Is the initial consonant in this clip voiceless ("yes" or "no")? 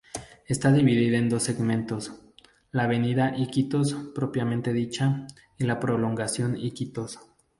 yes